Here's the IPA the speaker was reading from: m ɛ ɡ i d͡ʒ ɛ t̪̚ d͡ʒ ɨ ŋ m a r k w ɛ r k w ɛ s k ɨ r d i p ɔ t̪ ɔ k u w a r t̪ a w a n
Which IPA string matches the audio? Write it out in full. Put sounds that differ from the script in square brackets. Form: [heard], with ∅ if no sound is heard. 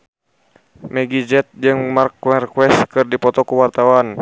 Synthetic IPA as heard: m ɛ ɡ i d͡ʒ ɛ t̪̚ d͡ʒ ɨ ŋ m a r k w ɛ r k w ɛ s k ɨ r d i p ɔ t̪ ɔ k u w a r t̪ a w a n

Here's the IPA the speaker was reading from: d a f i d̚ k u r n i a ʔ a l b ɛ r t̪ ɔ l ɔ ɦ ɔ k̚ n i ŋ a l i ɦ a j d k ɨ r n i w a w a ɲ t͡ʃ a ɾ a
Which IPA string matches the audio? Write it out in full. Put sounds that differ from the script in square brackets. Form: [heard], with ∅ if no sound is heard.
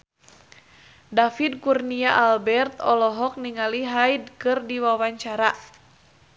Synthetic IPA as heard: d a f i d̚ k u r n i a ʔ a l b ɛ r t̪ ɔ l ɔ ɦ ɔ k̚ n i ŋ a l i ɦ a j d k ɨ r [d] i w a w a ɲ t͡ʃ a ɾ a

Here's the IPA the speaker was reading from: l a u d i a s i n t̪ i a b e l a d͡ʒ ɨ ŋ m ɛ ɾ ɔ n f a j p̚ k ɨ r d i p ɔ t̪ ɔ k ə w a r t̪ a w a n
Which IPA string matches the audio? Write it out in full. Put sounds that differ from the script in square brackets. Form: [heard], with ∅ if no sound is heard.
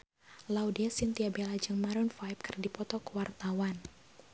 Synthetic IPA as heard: l a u d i a s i n t̪ i a b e l a d͡ʒ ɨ ŋ m [a] ɾ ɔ n f a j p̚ k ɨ r d i p ɔ t̪ ɔ k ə w a r t̪ a w a n

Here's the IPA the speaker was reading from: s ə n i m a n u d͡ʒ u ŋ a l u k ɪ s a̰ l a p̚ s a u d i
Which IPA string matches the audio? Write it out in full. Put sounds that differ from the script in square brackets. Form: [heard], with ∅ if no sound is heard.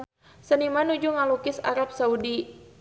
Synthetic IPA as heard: s ə n i m a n u d͡ʒ u ŋ a l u k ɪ s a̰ [ɾ] a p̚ s a u d i

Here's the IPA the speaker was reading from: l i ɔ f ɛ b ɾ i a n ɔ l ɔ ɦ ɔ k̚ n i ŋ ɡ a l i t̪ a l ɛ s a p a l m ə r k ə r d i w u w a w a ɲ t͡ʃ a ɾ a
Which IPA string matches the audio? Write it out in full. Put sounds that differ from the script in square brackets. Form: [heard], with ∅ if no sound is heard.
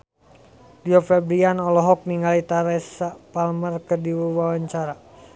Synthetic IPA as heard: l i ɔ f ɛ b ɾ i a n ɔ l ɔ ɦ ɔ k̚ n i ŋ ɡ a l i t̪ a [ɾ] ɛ s a p a l m ə r k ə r d i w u w a w a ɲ t͡ʃ a ɾ a

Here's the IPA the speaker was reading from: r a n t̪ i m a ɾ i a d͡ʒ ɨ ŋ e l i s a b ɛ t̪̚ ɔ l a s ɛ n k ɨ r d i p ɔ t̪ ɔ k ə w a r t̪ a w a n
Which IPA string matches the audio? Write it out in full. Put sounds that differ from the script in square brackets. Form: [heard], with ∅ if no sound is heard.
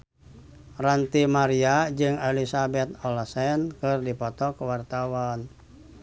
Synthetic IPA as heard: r a n t̪ i m a ɾ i a d͡ʒ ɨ ŋ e l i s a b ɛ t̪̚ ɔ l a s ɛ n k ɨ r d i p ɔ t̪ ɔ k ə w a r t̪ a w a n

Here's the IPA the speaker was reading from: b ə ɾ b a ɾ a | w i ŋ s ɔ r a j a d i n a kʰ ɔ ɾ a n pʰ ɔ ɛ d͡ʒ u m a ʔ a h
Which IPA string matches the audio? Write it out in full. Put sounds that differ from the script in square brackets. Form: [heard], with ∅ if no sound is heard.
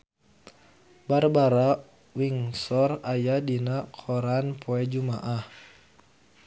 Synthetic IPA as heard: b [a] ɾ b a ɾ a | w i ŋ s ɔ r a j a d i n a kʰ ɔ ɾ a n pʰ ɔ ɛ d͡ʒ u m a ʔ a h

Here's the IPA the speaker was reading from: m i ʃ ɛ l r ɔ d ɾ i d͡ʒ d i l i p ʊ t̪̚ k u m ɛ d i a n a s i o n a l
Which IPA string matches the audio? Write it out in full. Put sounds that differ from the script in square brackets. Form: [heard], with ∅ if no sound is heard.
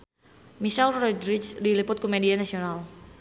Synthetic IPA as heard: m i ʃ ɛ l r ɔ d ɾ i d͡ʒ d i l i p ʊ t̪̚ k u m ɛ d i a n a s i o n a l

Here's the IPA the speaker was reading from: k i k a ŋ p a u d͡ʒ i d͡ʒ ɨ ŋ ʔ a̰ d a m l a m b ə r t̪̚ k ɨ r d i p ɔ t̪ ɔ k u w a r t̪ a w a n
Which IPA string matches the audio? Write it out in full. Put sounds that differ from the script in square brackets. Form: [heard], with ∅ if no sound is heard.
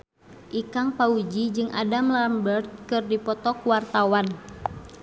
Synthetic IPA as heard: [ʔ] i k a ŋ p a u d͡ʒ i d͡ʒ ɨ ŋ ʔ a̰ d a m l a m b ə r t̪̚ k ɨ r d i p ɔ t̪ ɔ k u w a r t̪ a w a n

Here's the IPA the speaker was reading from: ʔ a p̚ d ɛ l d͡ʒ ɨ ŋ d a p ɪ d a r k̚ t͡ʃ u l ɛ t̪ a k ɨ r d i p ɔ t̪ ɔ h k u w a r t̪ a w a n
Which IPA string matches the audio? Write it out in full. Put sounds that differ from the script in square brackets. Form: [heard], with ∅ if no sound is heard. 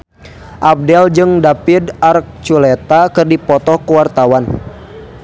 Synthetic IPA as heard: ʔ a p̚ d ɛ l d͡ʒ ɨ ŋ d a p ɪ d a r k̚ t͡ʃ u l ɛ t̪ a k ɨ r d i p ɔ t̪ ɔ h k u w a r t̪ a w a n

